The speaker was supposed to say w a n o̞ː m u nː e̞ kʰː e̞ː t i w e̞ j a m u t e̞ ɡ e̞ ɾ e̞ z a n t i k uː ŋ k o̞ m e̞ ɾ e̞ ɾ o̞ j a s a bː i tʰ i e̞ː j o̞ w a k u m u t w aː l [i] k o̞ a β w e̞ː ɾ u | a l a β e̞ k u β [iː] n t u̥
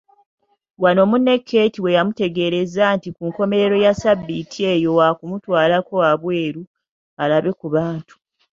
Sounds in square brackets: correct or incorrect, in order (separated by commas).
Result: incorrect, incorrect